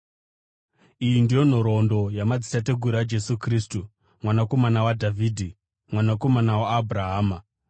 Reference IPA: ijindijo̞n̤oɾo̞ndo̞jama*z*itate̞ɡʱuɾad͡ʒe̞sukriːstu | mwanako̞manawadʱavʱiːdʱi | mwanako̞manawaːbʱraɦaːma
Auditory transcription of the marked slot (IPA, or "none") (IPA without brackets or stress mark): d͡z